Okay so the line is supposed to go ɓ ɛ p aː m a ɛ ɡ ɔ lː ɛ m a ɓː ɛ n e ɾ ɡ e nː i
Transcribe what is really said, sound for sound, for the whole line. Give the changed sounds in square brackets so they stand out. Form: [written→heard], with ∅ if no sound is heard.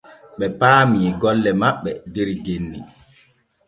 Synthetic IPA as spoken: ɓ ɛ p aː m [a→i] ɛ ɡ ɔ lː ɛ m a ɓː ɛ [n→d] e ɾ ɡ e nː i